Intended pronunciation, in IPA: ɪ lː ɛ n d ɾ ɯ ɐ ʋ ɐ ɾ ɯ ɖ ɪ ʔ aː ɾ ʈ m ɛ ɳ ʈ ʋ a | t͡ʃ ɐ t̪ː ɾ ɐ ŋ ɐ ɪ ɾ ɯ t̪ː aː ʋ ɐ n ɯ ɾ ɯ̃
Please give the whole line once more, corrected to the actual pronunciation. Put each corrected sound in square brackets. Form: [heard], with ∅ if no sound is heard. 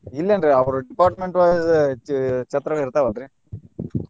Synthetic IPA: ɪ lː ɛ n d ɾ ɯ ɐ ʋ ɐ ɾ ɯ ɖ ɪ [p] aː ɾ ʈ m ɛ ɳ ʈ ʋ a | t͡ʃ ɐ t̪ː ɾ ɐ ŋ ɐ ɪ ɾ ɯ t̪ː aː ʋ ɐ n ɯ ɾ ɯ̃

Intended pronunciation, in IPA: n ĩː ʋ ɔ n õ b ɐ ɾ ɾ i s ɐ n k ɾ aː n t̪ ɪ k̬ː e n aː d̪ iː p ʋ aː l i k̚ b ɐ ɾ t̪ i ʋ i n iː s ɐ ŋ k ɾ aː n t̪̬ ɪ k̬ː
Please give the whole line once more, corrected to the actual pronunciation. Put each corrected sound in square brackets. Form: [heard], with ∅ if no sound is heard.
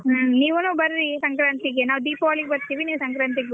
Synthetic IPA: n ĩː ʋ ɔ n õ b ɐ ɾ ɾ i s ɐ [ŋ] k ɾ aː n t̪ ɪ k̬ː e n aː d̪ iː p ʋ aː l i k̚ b ɐ ɾ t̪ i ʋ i n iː s ɐ ŋ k ɾ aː n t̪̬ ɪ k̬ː

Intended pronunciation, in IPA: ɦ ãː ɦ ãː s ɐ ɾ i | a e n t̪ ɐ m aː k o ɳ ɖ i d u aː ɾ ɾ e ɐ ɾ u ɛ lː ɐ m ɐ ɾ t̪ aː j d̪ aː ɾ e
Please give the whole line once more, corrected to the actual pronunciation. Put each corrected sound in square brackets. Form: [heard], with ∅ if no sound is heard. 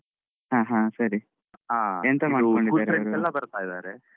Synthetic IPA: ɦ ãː ɦ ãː s ɐ ɾ i | a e n t̪ ɐ m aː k o ɳ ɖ i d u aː ɾ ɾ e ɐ ɾ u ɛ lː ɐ [b] ɐ ɾ t̪ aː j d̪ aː ɾ e

